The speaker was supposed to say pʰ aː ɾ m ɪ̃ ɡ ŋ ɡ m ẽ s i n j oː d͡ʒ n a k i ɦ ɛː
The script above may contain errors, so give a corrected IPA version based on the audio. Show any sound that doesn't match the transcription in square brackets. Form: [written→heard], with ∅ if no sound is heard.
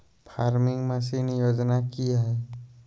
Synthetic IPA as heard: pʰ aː ɾ m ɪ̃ [ɡ→∅] ŋ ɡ m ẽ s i n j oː d͡ʒ n a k i ɦ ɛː